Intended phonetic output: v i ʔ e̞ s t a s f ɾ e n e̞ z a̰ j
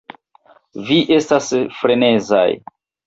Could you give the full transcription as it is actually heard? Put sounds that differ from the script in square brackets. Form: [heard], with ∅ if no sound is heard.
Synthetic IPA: v i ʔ e̞ s t a s f ɾ e n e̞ z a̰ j